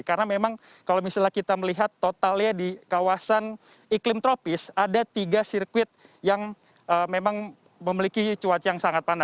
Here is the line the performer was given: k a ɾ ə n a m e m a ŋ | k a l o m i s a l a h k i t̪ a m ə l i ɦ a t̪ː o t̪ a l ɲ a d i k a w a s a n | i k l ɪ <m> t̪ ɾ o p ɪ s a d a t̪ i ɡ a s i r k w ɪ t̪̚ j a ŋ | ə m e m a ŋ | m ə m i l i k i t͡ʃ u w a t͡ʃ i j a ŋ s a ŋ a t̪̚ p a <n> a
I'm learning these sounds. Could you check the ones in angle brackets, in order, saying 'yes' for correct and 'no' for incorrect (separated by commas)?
yes, yes